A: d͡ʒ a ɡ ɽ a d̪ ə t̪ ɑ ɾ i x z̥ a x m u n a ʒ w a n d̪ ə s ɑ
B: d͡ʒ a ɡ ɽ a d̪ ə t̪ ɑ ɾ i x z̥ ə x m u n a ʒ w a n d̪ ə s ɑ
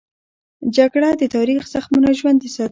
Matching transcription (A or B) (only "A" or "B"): A